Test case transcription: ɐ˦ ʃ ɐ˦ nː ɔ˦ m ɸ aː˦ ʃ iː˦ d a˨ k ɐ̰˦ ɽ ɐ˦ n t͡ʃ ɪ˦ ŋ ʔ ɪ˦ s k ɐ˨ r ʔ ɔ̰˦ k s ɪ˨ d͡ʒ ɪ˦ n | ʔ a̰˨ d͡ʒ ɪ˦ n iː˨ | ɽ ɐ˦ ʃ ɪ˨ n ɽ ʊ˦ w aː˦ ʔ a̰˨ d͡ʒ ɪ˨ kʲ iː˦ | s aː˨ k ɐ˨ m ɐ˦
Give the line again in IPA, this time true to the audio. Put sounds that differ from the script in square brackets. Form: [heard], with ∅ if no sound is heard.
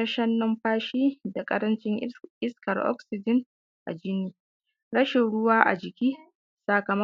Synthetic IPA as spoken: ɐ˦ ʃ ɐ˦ nː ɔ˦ m ɸ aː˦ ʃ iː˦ d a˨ [kʼ] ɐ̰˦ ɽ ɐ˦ n t͡ʃ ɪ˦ ŋ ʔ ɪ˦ s k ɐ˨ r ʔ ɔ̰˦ k s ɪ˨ d͡ʒ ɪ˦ n | ʔ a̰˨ d͡ʒ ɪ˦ n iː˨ | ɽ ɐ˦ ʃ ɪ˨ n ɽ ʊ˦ w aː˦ ʔ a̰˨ d͡ʒ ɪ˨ kʲ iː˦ | s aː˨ k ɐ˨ m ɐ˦

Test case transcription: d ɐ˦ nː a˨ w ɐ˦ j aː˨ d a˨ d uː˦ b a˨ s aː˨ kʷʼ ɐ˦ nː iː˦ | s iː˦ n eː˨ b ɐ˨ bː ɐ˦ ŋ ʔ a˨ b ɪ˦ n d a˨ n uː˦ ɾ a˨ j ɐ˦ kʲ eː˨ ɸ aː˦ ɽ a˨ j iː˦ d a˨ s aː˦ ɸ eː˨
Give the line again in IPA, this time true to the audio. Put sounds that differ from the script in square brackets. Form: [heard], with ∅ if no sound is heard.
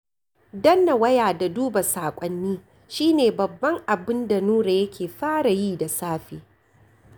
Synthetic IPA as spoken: d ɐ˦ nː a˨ w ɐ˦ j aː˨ d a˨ d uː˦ b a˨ s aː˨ kʷʼ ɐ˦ nː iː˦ | [ʃ] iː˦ n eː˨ b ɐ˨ bː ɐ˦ ŋ ʔ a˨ b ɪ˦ n d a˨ n uː˦ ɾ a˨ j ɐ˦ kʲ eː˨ ɸ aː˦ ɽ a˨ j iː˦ d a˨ s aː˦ ɸ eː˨

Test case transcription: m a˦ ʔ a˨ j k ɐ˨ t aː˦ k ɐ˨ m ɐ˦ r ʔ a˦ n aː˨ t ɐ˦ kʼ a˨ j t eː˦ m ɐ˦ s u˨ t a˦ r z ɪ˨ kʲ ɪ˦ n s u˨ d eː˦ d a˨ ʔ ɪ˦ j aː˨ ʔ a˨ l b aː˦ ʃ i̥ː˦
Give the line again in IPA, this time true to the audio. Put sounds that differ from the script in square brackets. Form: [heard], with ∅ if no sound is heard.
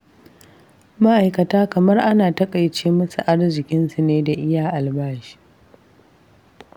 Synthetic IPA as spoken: m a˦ ʔ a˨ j k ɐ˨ t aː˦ k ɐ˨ m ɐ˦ r ʔ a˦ n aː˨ t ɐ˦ kʼ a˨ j [t͡ʃ] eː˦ m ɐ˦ s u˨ [ʔ] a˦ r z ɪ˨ kʲ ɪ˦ n s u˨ [n] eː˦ d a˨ ʔ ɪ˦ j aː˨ ʔ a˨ l b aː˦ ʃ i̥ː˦

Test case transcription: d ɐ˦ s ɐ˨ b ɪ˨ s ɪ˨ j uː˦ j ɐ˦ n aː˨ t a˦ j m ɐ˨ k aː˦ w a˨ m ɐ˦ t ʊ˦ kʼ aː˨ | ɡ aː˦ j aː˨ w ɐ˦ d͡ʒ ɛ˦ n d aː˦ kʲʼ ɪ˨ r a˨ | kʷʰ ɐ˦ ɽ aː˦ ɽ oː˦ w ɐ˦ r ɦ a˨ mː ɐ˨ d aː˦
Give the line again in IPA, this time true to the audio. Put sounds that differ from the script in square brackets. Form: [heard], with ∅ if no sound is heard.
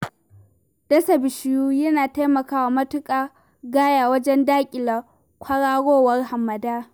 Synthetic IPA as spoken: d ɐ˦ s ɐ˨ b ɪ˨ [ʃ] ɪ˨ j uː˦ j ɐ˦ n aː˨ t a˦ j m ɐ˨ k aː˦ w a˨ m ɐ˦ t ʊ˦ kʼ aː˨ | ɡ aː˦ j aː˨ w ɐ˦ d͡ʒ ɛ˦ n d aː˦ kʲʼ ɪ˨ [l] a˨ | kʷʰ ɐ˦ ɽ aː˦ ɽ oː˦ w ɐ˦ r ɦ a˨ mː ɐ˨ d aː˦

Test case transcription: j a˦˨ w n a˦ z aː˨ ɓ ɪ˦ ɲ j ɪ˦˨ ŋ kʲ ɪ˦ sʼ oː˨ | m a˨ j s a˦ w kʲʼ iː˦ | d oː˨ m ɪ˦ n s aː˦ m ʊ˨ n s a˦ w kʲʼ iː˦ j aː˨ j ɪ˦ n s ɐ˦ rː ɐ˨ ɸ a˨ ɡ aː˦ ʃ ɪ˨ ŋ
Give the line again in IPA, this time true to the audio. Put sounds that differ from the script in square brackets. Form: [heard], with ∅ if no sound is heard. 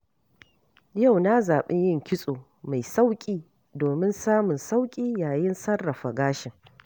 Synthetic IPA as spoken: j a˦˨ w n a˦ z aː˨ ɓ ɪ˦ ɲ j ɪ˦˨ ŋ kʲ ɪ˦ sʼ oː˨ | m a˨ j s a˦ w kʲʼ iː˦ | d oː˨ m ɪ˦ n s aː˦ m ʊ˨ n s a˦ w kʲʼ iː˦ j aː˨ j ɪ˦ n s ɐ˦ rː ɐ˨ ɸ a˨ ɡ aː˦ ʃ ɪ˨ ŋ

